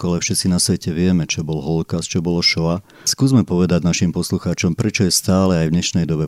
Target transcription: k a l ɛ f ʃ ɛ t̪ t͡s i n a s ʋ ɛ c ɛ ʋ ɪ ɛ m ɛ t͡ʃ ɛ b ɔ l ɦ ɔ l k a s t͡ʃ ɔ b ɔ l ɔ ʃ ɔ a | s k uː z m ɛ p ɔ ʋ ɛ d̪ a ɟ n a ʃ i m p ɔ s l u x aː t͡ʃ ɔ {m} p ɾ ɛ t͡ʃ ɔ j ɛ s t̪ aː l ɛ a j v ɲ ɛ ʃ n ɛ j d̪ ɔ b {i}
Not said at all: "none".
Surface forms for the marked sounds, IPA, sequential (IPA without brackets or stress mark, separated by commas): m, ɛ